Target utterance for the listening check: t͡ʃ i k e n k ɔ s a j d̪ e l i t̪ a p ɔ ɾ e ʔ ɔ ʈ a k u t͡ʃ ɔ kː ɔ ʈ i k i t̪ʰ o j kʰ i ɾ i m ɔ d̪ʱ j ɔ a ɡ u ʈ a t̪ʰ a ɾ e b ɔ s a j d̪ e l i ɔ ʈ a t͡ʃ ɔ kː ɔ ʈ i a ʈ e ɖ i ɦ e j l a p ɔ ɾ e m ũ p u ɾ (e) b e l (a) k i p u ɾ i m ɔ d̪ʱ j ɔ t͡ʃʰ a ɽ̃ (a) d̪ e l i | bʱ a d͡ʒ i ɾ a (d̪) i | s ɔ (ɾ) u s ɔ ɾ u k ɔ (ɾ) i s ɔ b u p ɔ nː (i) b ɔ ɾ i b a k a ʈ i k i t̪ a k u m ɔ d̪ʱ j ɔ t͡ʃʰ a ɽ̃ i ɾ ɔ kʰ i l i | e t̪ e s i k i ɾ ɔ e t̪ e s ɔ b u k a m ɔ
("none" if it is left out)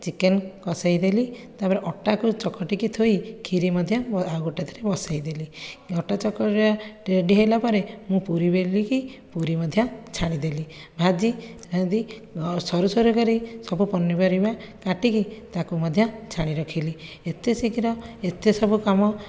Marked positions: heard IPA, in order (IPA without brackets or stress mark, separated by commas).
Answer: i, i, i, d̪, ɾ, ɾ, i